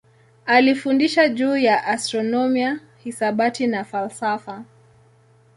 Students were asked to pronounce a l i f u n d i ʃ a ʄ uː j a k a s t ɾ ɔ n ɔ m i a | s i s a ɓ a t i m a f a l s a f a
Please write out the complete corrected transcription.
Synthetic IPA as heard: a l i f u n d i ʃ a ʄ uː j a ʔ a s t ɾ ɔ n ɔ m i a | h i s a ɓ a t i n a f a l s a f a